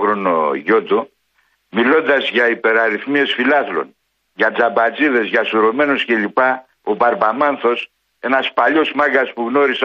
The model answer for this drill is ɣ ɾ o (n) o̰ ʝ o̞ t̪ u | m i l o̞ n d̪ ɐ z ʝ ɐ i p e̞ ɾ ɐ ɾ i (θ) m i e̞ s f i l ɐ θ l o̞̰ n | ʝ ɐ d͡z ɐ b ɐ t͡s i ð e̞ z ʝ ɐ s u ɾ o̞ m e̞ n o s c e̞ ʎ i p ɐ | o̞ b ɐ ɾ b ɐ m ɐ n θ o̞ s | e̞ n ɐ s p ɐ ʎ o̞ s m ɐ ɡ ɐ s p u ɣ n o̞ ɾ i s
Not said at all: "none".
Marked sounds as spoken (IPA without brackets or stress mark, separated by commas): n, θ